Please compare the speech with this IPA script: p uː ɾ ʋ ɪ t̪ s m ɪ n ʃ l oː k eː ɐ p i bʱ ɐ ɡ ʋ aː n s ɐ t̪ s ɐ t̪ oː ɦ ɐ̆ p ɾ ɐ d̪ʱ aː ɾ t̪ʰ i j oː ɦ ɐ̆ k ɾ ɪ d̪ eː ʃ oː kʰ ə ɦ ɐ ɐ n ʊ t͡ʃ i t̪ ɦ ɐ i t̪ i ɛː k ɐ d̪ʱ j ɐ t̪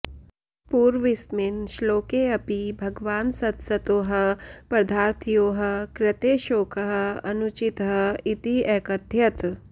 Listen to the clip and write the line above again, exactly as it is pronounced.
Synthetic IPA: p uː ɾ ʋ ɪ s m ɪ n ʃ l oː k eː ɐ p i bʱ ɐ ɡ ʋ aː n s ɐ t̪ s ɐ t̪ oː ɦ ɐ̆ p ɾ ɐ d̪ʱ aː ɾ t̪ʰ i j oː ɦ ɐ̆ k ɾ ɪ t̪ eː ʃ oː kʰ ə ɦ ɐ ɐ n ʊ t͡ʃ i t̪ ɦ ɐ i t̪ i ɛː k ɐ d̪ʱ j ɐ t̪

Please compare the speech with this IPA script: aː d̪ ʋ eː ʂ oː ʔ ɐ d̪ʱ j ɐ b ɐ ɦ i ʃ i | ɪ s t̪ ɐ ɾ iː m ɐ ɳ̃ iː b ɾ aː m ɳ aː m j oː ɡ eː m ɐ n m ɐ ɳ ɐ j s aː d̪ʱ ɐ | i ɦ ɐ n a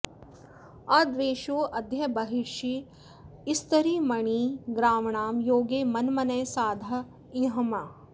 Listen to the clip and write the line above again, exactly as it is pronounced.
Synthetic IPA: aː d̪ ʋ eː ʃ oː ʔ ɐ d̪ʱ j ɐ b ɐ ɦ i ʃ i | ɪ s t̪ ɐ ɾ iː m ɐ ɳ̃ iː ɡ ɾ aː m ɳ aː m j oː ɡ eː m ɐ n m ɐ n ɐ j s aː d̪ʱ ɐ | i ɦ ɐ m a

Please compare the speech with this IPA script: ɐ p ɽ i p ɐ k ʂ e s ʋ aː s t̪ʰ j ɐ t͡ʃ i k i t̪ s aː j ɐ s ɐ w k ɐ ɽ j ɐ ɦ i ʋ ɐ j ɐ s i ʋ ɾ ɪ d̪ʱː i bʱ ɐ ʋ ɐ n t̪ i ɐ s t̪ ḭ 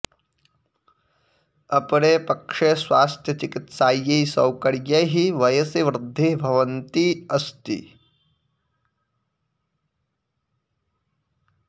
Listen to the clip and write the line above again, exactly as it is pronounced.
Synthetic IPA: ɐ p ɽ e p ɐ k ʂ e s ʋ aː s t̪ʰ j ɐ t͡ʃ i k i t̪ s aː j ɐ s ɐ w k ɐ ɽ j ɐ ɦ i ʋ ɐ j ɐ s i ʋ ɾ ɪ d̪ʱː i bʱ ɐ ʋ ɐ n t̪ i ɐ s t̪ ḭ

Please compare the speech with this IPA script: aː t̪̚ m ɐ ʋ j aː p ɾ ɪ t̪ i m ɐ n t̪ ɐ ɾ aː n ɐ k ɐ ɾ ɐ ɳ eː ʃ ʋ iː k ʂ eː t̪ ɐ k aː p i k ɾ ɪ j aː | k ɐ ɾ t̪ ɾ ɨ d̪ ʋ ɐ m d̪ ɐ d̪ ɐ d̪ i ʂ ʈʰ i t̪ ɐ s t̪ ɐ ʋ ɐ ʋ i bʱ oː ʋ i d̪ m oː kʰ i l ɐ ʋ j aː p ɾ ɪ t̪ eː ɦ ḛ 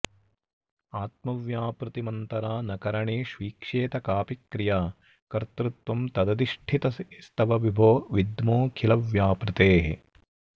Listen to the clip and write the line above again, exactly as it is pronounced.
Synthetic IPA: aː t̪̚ m ɐ ʋ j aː p ɾ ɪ t̪ i m ɐ n t̪ ɐ ɾ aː n ɐ k ɐ ɾ ɐ ɳ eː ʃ ʋ iː k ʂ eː t̪ ɐ k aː p i k ɾ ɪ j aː | k ɐ ɾ t̪ ɾ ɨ t̪ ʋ ɐ m t̪ ɐ d̪ ɐ d̪ i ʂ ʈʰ i t̪ ɐ s t̪ ɐ ʋ ɐ ʋ i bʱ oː ʋ i d̪ m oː kʰ i l ɐ ʋ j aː p ɾ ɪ t̪ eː ɦ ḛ

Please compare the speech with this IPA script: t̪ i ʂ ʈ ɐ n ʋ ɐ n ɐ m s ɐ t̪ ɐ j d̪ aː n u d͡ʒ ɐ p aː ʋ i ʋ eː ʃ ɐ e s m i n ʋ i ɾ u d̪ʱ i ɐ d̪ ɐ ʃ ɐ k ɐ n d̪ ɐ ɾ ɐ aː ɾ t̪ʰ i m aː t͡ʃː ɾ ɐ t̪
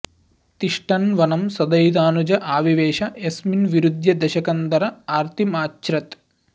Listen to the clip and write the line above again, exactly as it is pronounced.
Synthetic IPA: t̪ i ʂ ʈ ɐ n ʋ ɐ n ɐ m s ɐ d̪ ɐ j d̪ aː n u d͡ʒ ɐ ʔ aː ʋ i ʋ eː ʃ ɐ e s m i n ʋ i ɾ u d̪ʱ j ɐ d̪ ɐ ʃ ɐ k ɐ n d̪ ɐ ɾ ɐ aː ɾ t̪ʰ i m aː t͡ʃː ɾ ɐ t̪

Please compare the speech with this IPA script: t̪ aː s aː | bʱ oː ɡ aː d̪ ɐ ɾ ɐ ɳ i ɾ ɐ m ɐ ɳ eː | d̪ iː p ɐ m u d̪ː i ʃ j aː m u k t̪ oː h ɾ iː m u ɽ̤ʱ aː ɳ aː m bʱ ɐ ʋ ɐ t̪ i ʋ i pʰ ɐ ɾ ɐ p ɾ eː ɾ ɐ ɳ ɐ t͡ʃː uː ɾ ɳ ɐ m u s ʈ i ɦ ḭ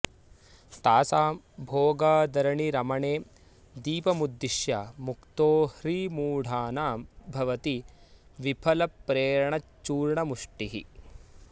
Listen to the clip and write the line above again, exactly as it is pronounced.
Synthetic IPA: t̪ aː s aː | bʱ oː ɡ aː d̪ ɐ ɾ ɐ ɳ i ɾ ɐ m ɐ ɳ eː | d̪ iː p ɐ m u d̪ː i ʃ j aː m u k t̪ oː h ɾ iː m uː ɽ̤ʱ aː n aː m bʱ ɐ ʋ ɐ t̪ i ʋ i pʰ ɐ l ɐ p ɾ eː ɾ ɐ ɳ ɐ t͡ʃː uː ɾ ɳ ɐ m u ʂ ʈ i ɦ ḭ

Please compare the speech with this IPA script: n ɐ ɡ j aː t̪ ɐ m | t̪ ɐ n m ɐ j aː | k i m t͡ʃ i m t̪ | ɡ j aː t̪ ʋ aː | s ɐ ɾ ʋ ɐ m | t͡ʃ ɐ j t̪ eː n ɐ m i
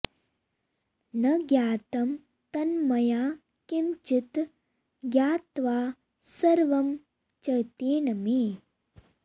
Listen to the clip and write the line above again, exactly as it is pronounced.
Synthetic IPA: n ɐ ɡ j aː t̪ ɐ m | t̪ ɐ n m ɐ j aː | k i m t͡ʃ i t̪ | ɡ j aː t̪ ʋ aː | s ɐ ɾ ʋ ɐ m | t͡ʃ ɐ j t̪ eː n ɐ m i

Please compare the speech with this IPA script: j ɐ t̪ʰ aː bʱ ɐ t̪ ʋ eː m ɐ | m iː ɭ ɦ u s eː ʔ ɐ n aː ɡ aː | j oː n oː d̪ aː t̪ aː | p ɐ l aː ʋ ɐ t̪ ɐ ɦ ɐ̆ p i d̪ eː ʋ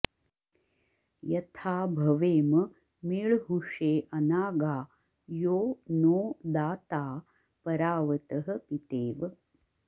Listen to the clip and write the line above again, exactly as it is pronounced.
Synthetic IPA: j ɐ t̪ʰ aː bʱ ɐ ʋ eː m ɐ | m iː ɭ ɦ u ʂ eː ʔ ɐ n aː ɡ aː | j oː n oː d̪ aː t̪ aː | p ɐ ɾ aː ʋ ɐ t̪ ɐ ɦ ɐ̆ p i t̪ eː ʋ

